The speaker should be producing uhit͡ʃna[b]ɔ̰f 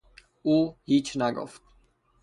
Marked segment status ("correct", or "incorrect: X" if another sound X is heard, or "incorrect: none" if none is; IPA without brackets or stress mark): incorrect: ɡ